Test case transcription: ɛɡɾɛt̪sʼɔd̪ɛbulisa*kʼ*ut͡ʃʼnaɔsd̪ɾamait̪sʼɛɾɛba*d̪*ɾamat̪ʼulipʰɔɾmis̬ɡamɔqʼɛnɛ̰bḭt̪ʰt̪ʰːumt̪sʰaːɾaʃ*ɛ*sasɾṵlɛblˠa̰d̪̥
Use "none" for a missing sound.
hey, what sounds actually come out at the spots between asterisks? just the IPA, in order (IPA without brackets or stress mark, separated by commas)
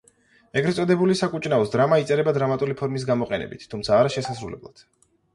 kʼ, d̪, ɛ